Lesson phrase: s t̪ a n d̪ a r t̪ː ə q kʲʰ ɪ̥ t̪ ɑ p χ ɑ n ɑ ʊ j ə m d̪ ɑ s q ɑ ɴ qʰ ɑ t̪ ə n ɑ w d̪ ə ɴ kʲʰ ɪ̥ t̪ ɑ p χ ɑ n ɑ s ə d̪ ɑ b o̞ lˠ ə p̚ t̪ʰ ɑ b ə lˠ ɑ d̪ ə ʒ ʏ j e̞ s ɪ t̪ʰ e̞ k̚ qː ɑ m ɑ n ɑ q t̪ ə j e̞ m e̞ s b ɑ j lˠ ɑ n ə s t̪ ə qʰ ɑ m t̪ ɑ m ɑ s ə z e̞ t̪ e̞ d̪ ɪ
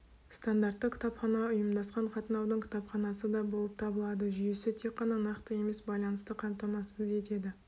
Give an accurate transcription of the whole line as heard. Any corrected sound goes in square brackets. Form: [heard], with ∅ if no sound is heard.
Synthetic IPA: s t̪ a n d̪ a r t̪ː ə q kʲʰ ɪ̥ t̪ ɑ p χ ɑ n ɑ ʊ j ə m d̪ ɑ s q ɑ ɴ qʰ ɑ t̪ ə n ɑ w d̪ ə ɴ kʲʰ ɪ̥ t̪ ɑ p χ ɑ n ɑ s ə d̪ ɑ b o̞ lˠ ə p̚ t̪ʰ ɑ b ə lˠ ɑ d̪ ə ʒ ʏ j e̞ s ɪ t̪ʰ e̞ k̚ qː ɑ [n] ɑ n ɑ q t̪ ə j e̞ m e̞ s b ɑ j lˠ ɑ n ə s t̪ ə qʰ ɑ m t̪ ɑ m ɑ s ə z e̞ t̪ e̞ d̪ ɪ